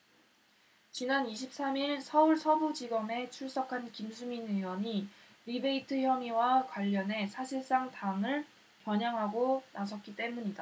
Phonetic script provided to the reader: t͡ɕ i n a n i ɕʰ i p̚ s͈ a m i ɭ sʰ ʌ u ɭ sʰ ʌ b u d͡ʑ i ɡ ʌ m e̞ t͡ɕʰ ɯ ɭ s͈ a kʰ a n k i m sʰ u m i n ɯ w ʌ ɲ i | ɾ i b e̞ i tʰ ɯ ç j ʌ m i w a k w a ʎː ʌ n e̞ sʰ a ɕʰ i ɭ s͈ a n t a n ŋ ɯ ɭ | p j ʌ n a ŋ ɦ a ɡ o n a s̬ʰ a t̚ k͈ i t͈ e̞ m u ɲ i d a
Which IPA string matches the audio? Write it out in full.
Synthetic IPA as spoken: t͡ɕ i n a n i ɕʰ i p̚ s͈ a m i ɭ sʰ ʌ u ɭ sʰ ʌ b u d͡ʑ i ɡ ʌ m e̞ t͡ɕʰ u ɭ s͈ ʌ kʰ a n k i m sʰ u m i n ɯ w ʌ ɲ i | ɾ i b e̞ i tʰ ɯ ç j ʌ m i w a k w a ʎː ʌ n e̞ sʰ a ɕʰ i ɭ s͈ a ŋ t a ŋ ɯ ɭ | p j ʌ ɲ a ŋ ɦ a ɡ o n a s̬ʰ ʌ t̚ k͈ i t͈ e̞ m u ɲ i d a

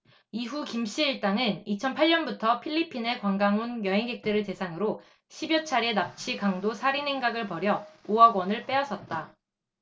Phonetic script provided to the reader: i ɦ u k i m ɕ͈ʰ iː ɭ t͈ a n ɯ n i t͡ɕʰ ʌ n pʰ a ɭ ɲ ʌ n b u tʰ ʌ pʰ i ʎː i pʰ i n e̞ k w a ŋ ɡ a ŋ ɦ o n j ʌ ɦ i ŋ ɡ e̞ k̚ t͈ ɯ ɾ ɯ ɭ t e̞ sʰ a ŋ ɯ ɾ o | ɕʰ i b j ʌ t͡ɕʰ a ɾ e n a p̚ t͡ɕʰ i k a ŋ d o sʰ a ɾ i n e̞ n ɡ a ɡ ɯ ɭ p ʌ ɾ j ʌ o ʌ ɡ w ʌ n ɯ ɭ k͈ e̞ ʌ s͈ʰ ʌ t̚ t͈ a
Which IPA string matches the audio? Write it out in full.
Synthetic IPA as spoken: i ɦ u k i m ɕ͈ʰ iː ɭ t͈ a ŋ ɯ n i t͡ɕʰ ʌ n pʰ a ɭ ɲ ʌ n b u tʰ ʌ pʰ i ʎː i pʰ i n e̞ k w a ŋ ɡ a ŋ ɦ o n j ʌ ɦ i ŋ ɡ e̞ k̚ t͈ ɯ ɾ ɯ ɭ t e̞ sʰ a ŋ ɯ ɾ o | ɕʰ i b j ʌ t͡ɕʰ a ɾ e n a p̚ t͡ɕʰ i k a ŋ d o sʰ a ɾ i n e̞ ŋ ɡ a ɡ ɯ ɭ p ʌ ɾ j ʌ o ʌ ɡ w ʌ n ɯ ɭ p͈ e̞ ʌ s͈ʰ ʌ t̚ t͈ a

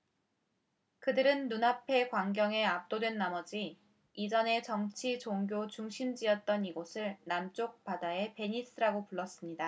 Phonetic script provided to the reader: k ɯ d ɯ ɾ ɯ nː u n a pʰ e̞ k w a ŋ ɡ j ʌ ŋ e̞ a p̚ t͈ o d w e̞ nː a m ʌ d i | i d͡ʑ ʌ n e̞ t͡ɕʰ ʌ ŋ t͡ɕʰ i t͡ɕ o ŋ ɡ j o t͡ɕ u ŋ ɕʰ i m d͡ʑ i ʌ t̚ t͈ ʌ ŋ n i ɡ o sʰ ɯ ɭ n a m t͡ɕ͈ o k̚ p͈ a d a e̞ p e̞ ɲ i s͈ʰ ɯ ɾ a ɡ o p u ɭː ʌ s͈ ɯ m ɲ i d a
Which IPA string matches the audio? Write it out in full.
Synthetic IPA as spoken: k ɯ d ɯ ɾ ɯ nː u n a pʰ e̞ k w a ŋ ɡ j ʌ ŋ e̞ a p̚ t͈ o d w e̞ nː a m ʌ d͡ʑ i | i d͡ʑ ʌ n e̞ t͡ɕ ʌ ŋ t͡ɕʰ i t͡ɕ o ŋ ɡ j o t͡ɕ u ŋ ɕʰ i m d͡ʑ i ʌ t̚ t͈ ʌ n i ɡ o sʰ ɯ ɭ n a m t͡ɕ͈ o k̚ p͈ a d a e̞ p e̞ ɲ i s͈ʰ ɯ ɾ a ɡ o p u ɭː ʌ s͈ ɯ m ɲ i d a

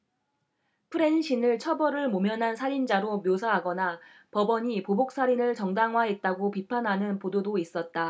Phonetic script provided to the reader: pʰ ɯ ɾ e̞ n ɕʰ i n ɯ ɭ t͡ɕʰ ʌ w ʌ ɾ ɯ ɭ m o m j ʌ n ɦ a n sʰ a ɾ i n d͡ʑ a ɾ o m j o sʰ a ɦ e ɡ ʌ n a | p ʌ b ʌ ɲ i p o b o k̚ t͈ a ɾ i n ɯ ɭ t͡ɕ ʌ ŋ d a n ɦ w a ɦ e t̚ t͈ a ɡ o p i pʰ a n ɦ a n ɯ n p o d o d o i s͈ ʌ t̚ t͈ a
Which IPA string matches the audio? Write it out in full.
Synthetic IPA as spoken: pʰ ɯ ɾ e̞ n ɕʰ i n ɯ ɭ t͡ɕʰ ʌ b ʌ ɾ ɯ ɭ m o m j ʌ n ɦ a n sʰ a ɾ i n d͡ʑ a ɾ o m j o sʰ a ɦ a ɡ ʌ n a | p ʌ b ʌ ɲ i p o b o k̚ s͈ a ɾ i n ɯ ɭ t͡ɕ ʌ ŋ d a ŋ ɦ w a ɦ e t̚ t͈ a ɡ o p i pʰ a n ɦ a n ɯ n p o d o d o i s͈ ʌ t̚ t͈ a

